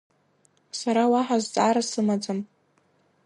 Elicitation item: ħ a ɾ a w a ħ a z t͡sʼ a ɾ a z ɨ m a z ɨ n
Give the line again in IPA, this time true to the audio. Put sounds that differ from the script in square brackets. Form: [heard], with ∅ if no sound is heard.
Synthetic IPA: [s] a ɾ a w a ħ a z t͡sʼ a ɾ a [s] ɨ m a [d͡z] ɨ [m]

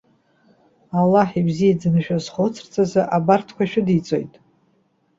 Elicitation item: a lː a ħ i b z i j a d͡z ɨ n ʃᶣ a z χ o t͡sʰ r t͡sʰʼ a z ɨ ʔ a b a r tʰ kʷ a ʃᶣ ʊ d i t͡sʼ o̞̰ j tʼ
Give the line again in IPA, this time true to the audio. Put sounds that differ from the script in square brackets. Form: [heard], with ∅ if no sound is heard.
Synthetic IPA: a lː a ħ i b z i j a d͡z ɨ n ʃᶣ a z χ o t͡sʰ r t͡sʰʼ a z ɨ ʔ a b a r tʰ kʷ a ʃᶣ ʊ d i t͡sʼ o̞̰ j tʼ

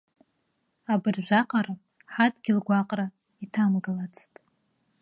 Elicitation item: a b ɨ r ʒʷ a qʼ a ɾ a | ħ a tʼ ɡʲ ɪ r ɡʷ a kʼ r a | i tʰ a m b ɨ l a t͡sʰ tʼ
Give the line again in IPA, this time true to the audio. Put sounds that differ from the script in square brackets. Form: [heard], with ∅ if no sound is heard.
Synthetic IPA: a b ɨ r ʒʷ a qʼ a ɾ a | ħ a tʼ ɡʲ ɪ [l] ɡʷ a [qʼ] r a | i tʰ a m [ɡ] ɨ l a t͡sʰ tʼ

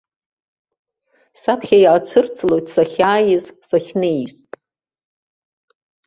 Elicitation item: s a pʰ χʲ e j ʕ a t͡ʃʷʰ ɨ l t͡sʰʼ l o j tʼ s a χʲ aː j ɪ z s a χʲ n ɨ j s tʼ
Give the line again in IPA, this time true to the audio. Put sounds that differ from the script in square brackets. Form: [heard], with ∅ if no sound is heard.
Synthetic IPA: s a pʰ χʲ [a] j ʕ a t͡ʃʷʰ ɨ [r] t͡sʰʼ l o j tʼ s a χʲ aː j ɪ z s a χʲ n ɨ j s tʼ

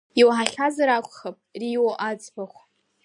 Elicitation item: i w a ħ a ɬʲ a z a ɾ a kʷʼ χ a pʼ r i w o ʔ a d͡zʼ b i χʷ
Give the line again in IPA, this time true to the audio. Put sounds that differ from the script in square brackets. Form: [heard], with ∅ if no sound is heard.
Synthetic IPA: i w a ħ a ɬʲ a z a ɾ a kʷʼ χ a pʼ r i w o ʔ a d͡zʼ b [a] χʷ

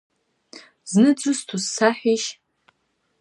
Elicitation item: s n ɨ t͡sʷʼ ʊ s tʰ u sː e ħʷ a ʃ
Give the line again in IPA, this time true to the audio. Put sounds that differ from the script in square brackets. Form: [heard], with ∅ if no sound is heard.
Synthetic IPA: [z] n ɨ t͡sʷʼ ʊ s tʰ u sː [a] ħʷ [i] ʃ

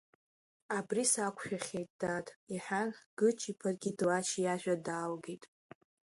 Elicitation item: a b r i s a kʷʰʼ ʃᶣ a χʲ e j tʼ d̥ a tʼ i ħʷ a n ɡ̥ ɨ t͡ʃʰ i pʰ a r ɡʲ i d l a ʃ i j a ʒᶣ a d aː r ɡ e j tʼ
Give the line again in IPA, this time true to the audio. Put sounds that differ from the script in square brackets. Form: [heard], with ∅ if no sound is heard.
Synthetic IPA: a b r i s a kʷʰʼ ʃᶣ a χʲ e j tʼ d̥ a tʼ i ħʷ a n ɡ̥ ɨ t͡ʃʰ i pʰ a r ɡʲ i d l a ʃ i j a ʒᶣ a d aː [l] ɡ e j tʼ

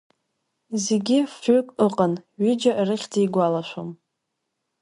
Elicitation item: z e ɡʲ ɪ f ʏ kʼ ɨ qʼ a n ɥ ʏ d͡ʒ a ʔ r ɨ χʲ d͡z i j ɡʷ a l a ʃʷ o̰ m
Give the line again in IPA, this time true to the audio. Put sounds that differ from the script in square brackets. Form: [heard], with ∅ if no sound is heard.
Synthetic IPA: z e ɡʲ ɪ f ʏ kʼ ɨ qʼ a n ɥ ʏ d͡ʒ a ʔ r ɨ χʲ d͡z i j ɡʷ a l a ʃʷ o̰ m

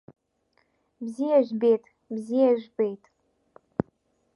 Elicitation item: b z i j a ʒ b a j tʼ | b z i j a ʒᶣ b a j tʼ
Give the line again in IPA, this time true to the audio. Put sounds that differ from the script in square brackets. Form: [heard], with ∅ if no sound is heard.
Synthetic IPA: b z i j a ʒ b [e] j tʼ | b z i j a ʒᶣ b [e] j tʼ

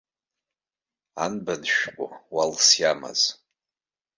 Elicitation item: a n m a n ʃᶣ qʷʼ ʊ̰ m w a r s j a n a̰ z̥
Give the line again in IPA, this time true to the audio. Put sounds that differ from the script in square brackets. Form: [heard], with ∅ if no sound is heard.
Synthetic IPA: a n [b] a n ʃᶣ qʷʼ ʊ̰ [∅] w a [l] s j a [m] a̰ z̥

